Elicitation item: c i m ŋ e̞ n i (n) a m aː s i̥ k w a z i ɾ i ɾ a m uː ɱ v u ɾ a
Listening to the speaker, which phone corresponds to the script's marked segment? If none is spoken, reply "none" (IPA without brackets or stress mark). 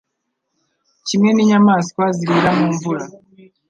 ɲ